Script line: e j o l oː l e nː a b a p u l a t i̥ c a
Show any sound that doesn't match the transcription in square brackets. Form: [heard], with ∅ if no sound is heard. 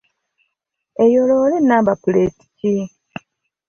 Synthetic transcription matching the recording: e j o l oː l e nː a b a p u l [e] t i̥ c [i]